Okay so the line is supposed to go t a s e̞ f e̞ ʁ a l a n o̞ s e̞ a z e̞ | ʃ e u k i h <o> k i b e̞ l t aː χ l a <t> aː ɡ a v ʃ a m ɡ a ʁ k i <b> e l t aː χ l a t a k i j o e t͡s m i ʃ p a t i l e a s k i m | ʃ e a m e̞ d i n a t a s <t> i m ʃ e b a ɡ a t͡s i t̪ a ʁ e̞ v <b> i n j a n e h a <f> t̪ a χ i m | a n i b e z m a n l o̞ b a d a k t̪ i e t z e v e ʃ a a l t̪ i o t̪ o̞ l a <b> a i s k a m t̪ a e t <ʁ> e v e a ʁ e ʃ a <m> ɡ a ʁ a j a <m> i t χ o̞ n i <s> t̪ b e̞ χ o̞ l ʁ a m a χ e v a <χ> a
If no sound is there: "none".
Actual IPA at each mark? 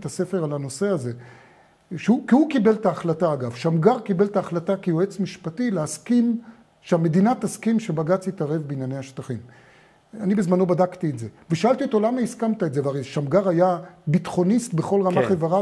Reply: u, t, b, k, b, ʃ, m, z, m, b, s, ʁ

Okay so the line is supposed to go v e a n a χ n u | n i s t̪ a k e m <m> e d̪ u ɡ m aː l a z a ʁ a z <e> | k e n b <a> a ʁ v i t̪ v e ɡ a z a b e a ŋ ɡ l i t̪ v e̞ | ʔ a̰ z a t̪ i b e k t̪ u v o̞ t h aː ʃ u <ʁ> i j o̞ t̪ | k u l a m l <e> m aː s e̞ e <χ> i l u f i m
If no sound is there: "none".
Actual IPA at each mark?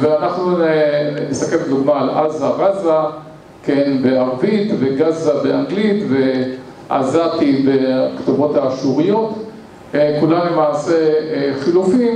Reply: b, a, e, ʁ, e, χ

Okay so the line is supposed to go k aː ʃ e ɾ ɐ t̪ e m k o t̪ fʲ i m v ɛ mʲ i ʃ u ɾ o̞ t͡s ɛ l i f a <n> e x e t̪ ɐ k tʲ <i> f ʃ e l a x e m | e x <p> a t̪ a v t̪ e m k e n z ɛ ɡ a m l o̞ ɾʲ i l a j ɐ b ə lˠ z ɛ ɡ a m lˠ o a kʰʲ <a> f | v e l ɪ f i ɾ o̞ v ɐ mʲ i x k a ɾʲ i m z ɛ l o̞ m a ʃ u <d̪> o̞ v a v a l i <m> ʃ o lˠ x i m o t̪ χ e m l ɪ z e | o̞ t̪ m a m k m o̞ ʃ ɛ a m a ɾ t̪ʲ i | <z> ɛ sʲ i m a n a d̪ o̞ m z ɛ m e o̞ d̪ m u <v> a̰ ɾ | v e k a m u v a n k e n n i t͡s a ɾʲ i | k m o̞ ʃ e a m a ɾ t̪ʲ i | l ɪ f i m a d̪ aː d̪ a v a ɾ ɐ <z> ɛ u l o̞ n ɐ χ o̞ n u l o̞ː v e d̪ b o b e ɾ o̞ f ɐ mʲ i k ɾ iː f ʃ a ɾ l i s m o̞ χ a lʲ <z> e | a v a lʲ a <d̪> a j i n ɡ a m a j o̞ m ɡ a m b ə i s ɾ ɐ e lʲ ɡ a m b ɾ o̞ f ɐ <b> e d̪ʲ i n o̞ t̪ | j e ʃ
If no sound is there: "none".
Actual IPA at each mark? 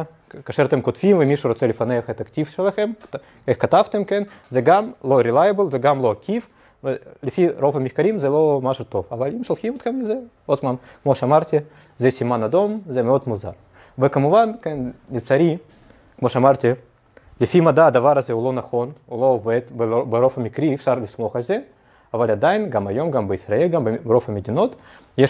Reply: n, i, k, i, t̪, m, z, z, z, z, d̪, m

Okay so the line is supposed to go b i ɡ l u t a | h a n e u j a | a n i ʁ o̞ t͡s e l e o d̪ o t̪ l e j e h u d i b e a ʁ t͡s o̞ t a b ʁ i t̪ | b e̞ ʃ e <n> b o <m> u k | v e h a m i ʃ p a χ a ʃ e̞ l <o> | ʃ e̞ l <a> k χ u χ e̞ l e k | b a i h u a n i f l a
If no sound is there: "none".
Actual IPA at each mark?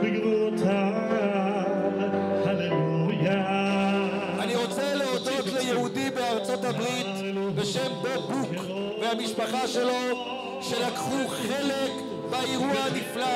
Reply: m, b, o, a

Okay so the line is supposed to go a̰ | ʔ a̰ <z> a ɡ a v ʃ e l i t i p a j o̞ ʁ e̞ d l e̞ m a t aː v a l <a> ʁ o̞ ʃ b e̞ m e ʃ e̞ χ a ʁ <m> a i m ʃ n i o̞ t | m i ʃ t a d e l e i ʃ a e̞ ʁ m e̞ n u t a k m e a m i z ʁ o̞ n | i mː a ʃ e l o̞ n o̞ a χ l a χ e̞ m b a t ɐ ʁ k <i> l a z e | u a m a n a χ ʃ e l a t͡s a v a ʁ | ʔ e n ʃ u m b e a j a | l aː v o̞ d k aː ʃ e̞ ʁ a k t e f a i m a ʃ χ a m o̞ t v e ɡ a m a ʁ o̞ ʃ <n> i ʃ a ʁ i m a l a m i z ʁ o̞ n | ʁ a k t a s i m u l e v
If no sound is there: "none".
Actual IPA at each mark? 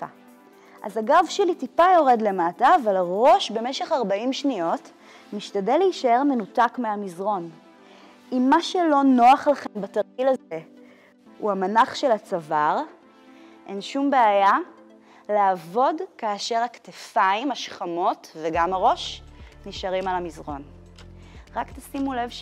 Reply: z, a, b, i, n

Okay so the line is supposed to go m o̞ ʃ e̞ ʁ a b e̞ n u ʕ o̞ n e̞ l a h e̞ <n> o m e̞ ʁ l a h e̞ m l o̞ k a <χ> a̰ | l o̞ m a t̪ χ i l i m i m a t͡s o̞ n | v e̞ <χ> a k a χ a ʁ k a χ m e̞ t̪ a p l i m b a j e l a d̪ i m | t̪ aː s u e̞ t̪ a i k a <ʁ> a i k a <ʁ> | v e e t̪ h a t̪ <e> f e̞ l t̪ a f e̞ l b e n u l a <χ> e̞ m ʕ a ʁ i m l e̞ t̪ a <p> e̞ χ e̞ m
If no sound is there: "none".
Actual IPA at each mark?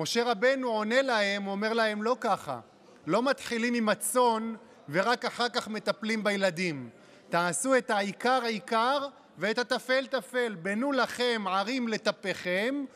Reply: m, χ, ʁ, ʁ, ʁ, a, χ, p

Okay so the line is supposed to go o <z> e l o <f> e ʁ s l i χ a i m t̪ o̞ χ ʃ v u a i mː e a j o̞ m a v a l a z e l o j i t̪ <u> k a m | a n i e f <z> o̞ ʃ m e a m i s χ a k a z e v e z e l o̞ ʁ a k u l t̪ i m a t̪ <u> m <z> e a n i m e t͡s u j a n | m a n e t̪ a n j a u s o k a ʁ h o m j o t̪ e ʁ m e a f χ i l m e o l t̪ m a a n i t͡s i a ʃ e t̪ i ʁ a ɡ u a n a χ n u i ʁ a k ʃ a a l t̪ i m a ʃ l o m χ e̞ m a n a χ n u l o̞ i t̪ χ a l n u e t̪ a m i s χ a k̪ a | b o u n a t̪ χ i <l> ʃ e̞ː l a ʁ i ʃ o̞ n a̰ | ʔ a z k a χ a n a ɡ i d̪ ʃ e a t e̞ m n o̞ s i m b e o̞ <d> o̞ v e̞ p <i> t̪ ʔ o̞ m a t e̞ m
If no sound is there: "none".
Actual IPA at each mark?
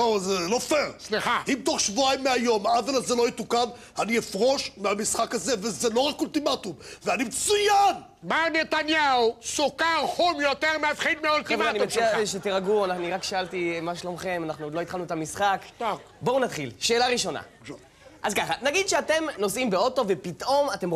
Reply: z, f, u, ʁ, u, v, l, t, i

